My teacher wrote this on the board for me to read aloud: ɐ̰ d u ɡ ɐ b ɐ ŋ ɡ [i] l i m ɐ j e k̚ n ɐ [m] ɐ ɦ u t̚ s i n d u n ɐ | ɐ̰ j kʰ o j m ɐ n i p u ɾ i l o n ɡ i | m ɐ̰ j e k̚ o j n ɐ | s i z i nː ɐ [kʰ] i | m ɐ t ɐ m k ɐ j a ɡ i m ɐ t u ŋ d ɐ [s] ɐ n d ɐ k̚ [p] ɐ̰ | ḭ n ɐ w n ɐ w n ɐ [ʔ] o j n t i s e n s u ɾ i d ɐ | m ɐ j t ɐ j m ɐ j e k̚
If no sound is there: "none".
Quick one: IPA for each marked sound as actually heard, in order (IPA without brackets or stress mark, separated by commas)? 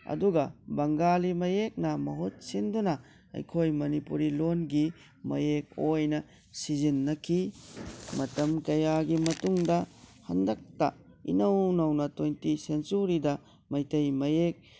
a, m, kʰ, h, t, t